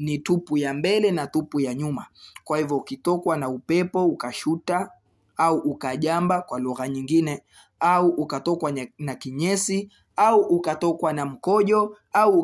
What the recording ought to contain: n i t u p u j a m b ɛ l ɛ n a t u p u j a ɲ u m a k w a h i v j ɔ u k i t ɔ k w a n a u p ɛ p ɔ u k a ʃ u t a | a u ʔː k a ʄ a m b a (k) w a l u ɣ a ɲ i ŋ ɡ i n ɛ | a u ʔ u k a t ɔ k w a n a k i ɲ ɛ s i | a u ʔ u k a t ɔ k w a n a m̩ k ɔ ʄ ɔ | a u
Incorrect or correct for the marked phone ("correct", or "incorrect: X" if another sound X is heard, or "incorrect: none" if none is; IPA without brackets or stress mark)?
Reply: correct